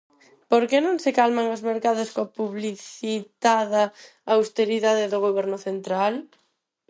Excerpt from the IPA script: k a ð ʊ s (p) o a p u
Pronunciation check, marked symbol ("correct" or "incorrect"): incorrect